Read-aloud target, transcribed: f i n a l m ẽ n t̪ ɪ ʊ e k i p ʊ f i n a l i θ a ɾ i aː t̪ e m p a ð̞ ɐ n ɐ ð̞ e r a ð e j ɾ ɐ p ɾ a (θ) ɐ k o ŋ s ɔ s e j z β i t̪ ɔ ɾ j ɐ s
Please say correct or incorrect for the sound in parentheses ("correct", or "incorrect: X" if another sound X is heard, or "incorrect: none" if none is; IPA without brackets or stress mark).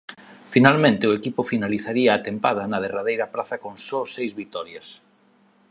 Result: correct